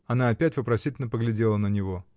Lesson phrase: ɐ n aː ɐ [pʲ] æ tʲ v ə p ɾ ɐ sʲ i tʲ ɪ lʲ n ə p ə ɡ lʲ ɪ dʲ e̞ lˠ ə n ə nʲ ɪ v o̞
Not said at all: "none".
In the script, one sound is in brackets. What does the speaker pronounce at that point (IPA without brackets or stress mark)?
pʲ